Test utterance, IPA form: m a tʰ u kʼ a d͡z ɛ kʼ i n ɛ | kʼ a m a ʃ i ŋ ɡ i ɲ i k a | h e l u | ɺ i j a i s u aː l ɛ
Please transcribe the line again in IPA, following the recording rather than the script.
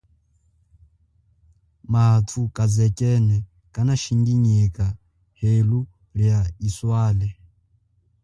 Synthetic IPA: m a tʰ u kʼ a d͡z ɛ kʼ ɛ n ɛ | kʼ a n a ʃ i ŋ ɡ i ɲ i k a | h e l u | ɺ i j a i s w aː l ɛ